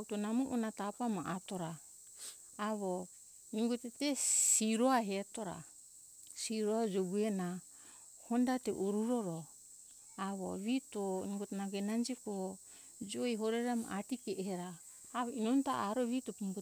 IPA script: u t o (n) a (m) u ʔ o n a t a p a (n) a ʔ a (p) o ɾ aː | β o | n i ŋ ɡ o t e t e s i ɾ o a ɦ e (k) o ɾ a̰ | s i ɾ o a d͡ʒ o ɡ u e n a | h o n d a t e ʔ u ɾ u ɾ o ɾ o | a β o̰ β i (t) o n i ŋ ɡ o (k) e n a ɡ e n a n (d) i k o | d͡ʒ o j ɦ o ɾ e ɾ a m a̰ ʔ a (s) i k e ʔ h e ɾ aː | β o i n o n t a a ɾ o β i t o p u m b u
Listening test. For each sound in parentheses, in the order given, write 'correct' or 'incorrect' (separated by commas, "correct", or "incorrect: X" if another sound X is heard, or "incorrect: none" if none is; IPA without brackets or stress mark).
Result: correct, correct, incorrect: m, incorrect: t, incorrect: t, correct, incorrect: t, incorrect: d͡ʒ, incorrect: t